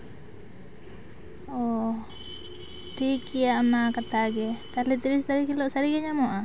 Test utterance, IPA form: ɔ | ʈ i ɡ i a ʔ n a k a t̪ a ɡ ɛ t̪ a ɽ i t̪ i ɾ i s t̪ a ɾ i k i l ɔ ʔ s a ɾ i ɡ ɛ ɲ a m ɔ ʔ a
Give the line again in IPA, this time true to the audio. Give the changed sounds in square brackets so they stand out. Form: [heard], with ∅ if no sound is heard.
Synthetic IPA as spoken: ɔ | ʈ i [k] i a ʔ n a k a t̪ a ɡ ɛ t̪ a [l] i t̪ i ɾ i s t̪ a ɾ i k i l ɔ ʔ s a ɾ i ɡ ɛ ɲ a m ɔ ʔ a